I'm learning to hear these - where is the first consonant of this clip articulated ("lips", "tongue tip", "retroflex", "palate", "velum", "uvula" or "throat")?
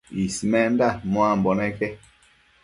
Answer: tongue tip